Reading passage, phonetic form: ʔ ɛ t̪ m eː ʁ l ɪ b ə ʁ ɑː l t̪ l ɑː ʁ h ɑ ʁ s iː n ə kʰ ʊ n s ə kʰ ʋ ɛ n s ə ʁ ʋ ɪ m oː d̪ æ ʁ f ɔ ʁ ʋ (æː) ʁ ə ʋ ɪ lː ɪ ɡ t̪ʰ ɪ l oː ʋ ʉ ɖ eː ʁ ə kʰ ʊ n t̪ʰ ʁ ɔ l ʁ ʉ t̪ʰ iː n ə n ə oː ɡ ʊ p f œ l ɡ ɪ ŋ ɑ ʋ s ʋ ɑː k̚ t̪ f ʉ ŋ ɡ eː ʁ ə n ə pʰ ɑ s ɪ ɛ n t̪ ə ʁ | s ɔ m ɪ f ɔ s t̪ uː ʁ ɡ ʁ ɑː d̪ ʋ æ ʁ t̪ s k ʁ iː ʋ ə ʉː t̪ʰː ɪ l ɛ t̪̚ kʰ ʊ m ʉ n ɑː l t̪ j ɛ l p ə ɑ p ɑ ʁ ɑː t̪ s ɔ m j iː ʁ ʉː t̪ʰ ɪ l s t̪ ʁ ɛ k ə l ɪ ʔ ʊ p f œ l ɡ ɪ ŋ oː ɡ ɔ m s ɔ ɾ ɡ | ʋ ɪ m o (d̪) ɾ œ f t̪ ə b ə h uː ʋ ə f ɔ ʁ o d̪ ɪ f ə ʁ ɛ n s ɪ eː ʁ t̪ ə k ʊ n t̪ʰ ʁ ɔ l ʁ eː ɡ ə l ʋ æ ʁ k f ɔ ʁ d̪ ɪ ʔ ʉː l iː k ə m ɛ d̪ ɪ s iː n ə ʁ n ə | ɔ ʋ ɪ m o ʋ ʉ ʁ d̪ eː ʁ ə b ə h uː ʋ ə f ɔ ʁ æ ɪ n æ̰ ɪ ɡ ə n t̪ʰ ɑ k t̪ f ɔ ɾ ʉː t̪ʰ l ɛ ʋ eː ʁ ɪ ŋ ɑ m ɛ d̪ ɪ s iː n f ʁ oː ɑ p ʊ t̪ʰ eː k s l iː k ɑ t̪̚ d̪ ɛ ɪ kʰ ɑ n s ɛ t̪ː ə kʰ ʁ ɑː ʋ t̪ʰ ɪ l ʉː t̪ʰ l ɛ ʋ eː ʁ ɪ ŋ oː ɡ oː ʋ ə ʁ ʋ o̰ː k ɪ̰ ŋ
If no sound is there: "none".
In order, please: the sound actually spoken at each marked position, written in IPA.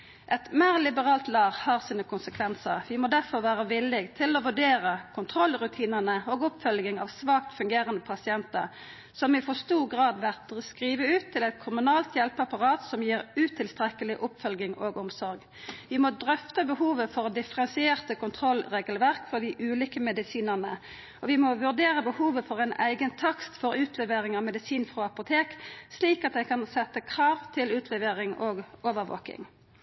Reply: æː, d̪

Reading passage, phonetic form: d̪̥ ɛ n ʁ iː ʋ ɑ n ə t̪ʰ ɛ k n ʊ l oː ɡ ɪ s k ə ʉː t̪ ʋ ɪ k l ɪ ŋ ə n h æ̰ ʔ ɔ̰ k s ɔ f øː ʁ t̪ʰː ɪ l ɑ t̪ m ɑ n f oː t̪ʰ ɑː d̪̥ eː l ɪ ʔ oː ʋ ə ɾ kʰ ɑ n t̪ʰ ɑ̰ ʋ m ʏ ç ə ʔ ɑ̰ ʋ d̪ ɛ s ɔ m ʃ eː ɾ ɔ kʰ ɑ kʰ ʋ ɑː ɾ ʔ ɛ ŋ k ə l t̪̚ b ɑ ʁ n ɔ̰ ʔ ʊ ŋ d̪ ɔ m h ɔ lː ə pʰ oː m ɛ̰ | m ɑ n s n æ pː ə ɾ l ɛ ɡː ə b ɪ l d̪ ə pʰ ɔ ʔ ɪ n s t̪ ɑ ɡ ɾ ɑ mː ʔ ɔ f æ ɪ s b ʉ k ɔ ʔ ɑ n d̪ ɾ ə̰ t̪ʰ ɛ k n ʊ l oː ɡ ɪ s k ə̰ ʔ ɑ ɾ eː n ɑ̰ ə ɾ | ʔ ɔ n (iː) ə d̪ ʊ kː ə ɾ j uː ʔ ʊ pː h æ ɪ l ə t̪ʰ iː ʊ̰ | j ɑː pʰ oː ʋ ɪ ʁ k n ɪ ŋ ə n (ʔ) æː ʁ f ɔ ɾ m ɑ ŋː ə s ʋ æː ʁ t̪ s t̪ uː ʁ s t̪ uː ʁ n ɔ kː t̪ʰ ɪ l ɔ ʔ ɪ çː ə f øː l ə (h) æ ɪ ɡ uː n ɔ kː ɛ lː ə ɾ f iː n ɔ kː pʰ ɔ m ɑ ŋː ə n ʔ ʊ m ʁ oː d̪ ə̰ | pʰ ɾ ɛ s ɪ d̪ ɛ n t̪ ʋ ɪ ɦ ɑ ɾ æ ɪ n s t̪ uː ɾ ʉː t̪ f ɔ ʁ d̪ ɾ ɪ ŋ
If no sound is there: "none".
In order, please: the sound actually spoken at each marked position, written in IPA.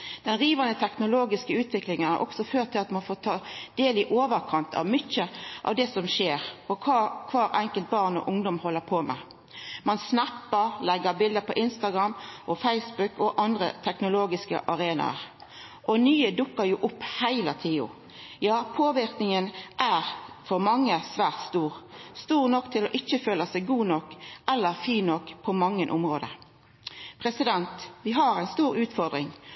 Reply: yː, ʔ, s

